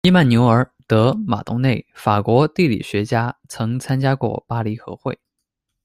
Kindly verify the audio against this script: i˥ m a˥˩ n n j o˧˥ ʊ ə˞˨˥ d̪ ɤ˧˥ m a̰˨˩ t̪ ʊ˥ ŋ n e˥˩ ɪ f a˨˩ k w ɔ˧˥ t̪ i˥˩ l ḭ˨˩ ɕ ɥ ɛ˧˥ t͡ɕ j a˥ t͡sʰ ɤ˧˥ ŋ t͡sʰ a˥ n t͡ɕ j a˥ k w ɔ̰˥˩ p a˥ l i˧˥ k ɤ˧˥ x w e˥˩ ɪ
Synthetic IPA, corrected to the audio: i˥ m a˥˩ n n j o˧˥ ʊ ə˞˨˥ t̪ ɤ˧˥ m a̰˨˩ t̪ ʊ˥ ŋ n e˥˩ ɪ f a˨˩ k w ɔ˧˥ t̪ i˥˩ l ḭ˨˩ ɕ ɥ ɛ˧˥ t͡ɕ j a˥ t͡sʰ ɤ˧˥ ŋ t͡sʰ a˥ n t͡ɕ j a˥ k w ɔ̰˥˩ p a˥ l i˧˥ x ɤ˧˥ x w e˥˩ ɪ